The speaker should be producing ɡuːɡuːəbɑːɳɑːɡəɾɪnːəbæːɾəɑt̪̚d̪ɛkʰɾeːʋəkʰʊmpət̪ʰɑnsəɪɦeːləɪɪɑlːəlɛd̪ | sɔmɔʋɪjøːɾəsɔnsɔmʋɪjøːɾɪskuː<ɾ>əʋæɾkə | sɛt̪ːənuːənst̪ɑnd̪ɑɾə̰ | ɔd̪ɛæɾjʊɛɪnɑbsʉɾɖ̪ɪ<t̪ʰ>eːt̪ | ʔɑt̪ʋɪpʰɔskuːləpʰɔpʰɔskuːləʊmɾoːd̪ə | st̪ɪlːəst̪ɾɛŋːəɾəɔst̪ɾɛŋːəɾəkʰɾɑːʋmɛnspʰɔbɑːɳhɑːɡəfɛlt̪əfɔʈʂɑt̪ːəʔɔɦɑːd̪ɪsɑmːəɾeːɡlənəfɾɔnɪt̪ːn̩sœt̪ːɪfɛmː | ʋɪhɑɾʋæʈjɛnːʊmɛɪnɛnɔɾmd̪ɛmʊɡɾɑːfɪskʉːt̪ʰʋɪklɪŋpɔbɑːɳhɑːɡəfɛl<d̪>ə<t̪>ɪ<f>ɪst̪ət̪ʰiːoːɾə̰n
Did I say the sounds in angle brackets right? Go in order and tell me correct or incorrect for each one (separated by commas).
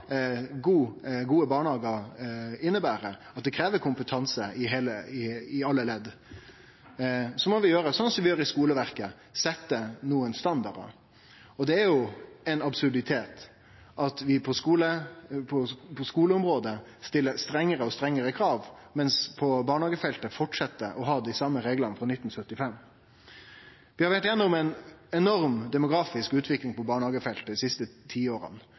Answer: incorrect, correct, incorrect, incorrect, incorrect